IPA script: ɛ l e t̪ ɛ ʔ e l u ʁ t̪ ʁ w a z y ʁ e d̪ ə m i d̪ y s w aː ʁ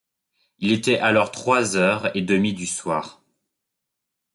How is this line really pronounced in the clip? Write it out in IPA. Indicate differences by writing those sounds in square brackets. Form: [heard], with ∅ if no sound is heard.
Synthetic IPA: [i] l e t̪ ɛ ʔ [a] l [ɔ] ʁ t̪ [χ] w a z [œ] ʁ e d̪ ə m i d̪ y s w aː ʁ